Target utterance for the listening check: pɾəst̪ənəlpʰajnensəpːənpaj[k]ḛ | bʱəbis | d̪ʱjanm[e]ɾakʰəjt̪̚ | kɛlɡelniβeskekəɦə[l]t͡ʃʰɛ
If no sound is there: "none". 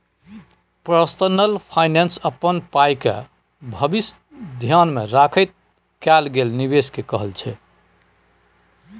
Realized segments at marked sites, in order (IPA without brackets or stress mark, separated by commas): k, e, l